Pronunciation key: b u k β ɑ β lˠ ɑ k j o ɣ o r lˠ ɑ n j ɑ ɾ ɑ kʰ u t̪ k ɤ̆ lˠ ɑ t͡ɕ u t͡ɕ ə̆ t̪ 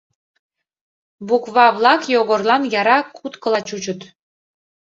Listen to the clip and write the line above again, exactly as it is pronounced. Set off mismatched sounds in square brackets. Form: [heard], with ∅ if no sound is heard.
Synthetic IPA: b u k β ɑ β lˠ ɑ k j o ɣ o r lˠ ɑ n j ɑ ɾ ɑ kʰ u t̪ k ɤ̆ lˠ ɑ t͡ɕ u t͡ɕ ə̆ t̪